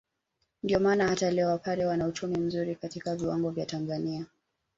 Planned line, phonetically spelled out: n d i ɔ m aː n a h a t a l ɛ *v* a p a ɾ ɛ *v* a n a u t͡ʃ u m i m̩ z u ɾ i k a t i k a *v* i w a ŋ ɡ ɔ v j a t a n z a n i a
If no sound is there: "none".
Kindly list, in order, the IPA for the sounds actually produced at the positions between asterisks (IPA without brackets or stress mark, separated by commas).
w, w, v